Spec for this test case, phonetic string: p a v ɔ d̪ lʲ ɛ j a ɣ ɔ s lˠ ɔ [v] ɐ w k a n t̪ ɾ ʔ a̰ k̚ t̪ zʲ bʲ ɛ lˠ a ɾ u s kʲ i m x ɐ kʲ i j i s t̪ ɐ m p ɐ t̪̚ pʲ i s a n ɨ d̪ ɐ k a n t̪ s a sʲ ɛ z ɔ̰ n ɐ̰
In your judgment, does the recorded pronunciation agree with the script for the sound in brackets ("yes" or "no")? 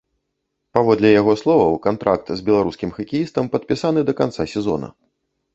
yes